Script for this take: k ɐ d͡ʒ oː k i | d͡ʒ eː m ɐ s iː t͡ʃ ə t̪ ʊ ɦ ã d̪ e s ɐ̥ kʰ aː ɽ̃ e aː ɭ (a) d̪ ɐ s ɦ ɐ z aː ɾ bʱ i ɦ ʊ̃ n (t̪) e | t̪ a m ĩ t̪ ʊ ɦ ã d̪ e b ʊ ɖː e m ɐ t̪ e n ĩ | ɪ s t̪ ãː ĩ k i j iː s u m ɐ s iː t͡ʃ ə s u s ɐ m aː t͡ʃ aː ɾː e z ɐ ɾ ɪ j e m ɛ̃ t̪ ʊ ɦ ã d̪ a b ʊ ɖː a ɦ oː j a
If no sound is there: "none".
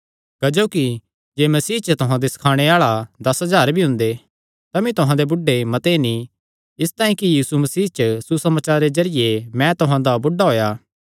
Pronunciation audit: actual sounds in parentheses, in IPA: a, d̪

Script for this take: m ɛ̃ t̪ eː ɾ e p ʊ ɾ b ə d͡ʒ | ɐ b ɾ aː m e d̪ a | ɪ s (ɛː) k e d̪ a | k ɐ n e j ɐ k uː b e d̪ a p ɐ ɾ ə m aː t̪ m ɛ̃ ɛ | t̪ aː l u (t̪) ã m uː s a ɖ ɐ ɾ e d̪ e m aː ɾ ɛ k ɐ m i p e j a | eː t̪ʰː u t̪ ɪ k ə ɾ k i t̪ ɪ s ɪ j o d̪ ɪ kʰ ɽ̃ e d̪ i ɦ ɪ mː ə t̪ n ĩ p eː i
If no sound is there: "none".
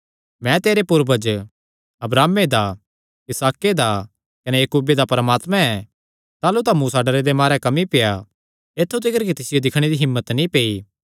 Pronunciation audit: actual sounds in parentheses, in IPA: aː, t̪

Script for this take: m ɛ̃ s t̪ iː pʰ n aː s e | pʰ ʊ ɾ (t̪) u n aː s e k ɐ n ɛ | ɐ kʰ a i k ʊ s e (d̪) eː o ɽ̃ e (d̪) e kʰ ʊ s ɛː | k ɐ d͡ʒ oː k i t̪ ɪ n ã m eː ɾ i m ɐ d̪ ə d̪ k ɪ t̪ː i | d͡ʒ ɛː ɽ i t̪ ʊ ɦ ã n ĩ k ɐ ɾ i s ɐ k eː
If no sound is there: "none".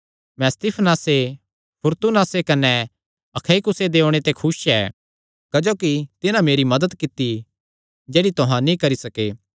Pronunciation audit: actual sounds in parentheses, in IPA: t̪, d̪, t̪

